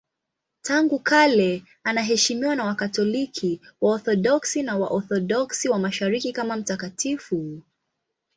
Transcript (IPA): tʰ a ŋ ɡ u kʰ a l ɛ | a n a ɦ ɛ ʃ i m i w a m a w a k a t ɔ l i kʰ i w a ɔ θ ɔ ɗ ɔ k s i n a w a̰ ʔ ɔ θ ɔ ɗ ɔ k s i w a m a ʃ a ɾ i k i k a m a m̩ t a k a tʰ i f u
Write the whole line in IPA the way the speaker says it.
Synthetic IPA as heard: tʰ a ŋ ɡ u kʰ a l ɛ | a n a ɦ ɛ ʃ i m i w a n a w a k a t ɔ l i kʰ i w a ɔ θ ɔ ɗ ɔ k s i n a w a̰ ʔ ɔ θ ɔ ɗ ɔ k s i w a m a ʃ a ɾ i k i k a m a m̩ t a k a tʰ i f u